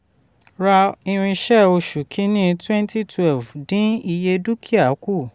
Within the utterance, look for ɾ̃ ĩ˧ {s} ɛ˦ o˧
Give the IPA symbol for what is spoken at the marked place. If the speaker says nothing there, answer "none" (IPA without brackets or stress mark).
ʃ